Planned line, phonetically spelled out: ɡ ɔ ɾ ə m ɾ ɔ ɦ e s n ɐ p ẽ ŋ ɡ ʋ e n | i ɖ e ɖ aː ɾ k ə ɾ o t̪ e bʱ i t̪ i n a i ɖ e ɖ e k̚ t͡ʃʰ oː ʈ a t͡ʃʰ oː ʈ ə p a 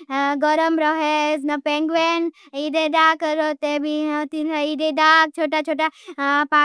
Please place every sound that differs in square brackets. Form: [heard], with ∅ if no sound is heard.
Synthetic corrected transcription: ɡ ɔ ɾ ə m ɾ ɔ ɦ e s n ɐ p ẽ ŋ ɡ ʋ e n | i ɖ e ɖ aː [∅] k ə ɾ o t̪ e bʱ i t̪ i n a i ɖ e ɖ [a] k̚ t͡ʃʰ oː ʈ a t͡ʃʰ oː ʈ [a] p a